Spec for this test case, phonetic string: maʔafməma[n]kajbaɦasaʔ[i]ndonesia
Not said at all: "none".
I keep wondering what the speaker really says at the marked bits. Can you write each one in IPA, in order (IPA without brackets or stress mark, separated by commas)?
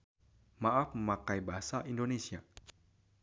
none, i